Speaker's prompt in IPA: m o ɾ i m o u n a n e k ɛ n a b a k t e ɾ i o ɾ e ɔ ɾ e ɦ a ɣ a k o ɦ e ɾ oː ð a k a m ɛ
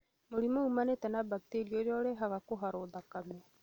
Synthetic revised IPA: m o ɾ i m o u m a n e t ɛ n a b a k t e ɾ i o ɾ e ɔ ɾ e ɦ a ɣ a k o ɦ a ɾ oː ð a k a m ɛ